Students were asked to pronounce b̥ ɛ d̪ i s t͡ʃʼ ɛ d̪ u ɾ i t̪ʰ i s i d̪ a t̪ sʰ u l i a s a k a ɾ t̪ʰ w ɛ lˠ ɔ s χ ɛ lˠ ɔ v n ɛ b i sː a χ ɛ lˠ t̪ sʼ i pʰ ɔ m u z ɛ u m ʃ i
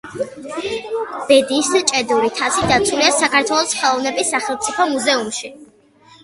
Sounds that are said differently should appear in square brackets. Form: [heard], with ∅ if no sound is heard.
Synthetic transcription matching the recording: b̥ ɛ d̪ i s t͡ʃʼ ɛ d̪ u ɾ i t̪ʰ [a] s i d̪ a t̪ sʰ u l i a s a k a ɾ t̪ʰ w ɛ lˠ ɔ s χ ɛ lˠ ɔ v n ɛ b i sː a χ ɛ lˠ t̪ sʼ i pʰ ɔ m u z ɛ u m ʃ i